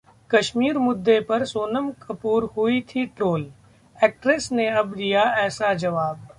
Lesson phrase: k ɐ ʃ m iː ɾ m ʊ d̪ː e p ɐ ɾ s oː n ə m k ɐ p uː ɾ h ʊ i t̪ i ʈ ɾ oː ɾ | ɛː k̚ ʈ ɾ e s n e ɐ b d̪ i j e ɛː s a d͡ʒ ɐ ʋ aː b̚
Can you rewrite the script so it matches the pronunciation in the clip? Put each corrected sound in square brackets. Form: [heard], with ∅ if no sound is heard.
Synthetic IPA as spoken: k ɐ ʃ m iː ɾ m ʊ d̪ː e p ɐ ɾ s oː n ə m k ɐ p uː ɾ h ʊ i [t̪ʰ] i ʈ ɾ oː [l] | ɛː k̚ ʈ ɾ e s n e ɐ b d̪ i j [a] ɛː s a d͡ʒ ɐ ʋ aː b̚